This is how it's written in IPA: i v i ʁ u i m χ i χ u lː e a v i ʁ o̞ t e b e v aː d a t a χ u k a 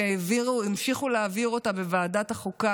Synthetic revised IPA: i v i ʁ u i m ʃ i χ u l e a v i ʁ o̞ t a b e v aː d a t a χ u k a